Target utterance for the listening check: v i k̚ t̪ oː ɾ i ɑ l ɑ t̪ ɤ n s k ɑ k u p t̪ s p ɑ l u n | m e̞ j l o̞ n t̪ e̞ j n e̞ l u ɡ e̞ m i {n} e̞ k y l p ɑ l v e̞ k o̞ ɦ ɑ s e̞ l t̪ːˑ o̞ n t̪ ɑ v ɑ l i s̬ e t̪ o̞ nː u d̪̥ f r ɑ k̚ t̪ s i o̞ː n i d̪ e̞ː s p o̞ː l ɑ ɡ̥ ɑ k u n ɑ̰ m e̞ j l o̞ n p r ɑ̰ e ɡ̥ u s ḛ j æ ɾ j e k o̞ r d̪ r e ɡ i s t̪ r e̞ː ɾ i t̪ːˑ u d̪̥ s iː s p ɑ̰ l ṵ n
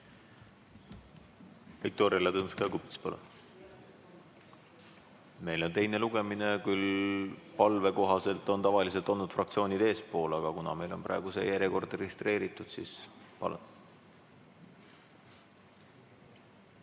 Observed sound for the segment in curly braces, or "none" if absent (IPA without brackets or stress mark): n